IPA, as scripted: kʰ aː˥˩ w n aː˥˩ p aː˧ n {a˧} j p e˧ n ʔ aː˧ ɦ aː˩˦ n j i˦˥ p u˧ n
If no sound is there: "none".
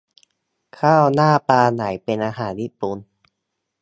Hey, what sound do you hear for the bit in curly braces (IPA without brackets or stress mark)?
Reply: a˩˦